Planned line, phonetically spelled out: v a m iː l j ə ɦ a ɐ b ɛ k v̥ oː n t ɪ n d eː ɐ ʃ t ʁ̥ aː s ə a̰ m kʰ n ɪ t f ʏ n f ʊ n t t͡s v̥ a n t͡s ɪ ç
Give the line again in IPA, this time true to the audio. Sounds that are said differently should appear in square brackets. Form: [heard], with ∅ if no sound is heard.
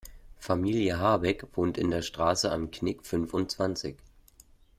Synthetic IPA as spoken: [f] a m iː l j ə ɦ a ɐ b ɛ k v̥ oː n t ɪ n d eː ɐ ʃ t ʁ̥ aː s ə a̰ m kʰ n ɪ [k] f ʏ n f ʊ n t t͡s v̥ a n t͡s ɪ ç